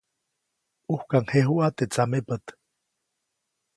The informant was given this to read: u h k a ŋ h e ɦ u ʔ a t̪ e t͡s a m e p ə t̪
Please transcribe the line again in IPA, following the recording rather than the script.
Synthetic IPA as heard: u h k a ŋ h e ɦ u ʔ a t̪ e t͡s a m e p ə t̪